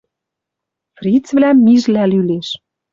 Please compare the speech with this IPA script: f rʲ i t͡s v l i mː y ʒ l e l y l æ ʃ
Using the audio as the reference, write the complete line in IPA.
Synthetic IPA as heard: f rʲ i t͡s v l æ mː i ʒ l æ l y l e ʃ